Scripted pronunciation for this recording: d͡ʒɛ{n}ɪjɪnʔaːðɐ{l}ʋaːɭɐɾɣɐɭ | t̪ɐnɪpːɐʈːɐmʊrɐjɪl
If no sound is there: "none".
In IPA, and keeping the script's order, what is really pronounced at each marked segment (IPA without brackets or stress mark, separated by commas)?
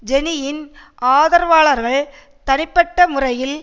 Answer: n, ɾ